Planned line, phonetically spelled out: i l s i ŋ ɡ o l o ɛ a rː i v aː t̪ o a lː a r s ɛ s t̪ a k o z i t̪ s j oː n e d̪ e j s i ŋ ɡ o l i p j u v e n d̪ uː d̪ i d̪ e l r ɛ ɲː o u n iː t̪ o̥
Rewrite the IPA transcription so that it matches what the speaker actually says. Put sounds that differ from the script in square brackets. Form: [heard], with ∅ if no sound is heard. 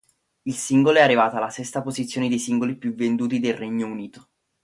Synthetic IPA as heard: i l s i ŋ ɡ o l o ɛ a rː i v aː t̪ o a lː a [∅] s ɛ s t̪ a [p] o z i t̪ s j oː n e d̪ e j s i ŋ ɡ o l i p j u v e n d̪ uː [t̪] i d̪ e l r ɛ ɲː o u n iː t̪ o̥